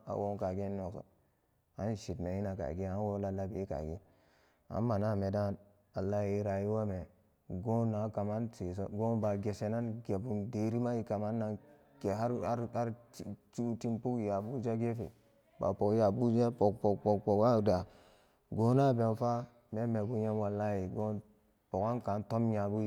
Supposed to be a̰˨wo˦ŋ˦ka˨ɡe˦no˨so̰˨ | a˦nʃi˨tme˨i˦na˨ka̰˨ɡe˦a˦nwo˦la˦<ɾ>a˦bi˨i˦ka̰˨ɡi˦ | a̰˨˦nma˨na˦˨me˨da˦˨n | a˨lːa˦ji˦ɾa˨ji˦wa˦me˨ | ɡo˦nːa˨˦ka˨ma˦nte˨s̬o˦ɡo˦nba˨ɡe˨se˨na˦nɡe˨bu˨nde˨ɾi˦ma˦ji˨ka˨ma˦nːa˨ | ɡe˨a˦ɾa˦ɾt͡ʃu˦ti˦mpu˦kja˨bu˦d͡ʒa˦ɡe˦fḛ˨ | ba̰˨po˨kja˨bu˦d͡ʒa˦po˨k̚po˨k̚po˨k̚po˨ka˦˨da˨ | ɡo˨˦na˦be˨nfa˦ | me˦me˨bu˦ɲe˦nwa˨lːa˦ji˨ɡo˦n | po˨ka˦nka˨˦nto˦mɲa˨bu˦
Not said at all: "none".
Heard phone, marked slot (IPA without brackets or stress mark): l